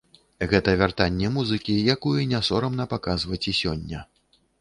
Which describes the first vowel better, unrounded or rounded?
unrounded